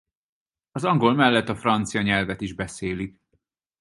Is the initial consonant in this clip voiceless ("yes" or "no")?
no